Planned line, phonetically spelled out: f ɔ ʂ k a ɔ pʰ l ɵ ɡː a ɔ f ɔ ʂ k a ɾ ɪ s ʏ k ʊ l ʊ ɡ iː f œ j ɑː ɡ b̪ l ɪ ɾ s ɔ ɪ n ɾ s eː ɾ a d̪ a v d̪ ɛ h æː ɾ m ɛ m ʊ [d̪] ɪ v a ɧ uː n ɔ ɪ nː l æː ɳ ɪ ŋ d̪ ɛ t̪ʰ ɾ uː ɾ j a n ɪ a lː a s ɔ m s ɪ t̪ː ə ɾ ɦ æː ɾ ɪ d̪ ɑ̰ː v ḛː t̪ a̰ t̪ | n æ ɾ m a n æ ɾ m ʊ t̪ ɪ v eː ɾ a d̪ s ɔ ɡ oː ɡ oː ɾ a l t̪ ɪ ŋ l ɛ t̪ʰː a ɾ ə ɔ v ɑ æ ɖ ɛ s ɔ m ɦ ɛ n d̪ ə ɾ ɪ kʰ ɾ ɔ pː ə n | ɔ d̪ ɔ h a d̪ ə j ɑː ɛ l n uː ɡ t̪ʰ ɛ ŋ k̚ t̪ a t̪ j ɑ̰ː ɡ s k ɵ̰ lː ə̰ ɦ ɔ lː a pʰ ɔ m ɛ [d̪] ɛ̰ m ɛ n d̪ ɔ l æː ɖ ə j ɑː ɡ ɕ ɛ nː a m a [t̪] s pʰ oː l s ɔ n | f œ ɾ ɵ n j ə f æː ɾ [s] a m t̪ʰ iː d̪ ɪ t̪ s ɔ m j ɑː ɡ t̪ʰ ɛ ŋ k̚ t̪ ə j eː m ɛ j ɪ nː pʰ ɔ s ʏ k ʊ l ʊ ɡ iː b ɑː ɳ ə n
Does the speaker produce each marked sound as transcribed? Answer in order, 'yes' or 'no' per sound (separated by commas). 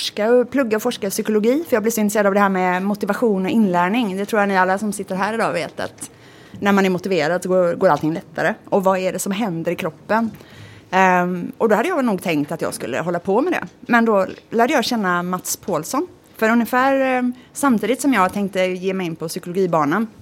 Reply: no, yes, yes, yes